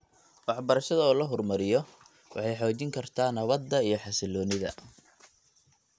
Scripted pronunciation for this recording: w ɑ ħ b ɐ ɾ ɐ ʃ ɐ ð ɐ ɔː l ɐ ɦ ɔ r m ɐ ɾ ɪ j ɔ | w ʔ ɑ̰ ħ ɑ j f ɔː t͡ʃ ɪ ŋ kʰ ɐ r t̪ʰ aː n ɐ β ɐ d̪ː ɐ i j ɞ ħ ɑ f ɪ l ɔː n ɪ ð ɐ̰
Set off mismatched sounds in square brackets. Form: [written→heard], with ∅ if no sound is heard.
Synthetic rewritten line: w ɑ ħ b ɐ ɾ ɐ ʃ ɐ ð ɐ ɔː l ɐ ɦ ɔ r m ɐ ɾ ɪ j ɔ | w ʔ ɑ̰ ħ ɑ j [f→ħ] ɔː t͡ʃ ɪ ŋ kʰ ɐ r t̪ʰ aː n ɐ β ɐ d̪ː ɐ i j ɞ ħ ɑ [f→s] ɪ l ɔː n ɪ ð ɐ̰